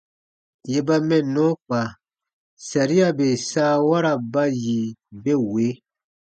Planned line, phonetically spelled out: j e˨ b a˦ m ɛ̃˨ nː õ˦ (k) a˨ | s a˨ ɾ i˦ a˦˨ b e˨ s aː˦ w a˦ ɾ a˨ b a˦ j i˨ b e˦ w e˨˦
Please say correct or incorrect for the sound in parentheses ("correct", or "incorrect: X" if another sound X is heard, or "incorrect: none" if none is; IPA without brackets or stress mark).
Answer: incorrect: k͡p